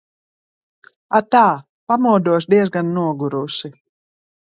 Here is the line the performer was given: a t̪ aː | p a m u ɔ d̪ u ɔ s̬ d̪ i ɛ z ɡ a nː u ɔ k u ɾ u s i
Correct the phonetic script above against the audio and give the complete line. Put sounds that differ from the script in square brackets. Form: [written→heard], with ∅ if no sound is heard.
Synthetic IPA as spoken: a t̪ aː | p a m u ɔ d̪ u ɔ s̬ d̪ i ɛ z ɡ a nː u ɔ [k→ɡ] u ɾ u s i